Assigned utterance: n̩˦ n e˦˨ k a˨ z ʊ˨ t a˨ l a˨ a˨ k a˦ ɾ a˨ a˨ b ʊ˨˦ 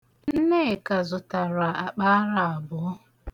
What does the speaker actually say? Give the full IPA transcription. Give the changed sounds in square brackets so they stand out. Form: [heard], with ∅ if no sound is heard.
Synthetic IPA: n̩˦ n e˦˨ k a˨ z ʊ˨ t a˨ [ɾ] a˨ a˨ [k͡p] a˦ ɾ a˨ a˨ b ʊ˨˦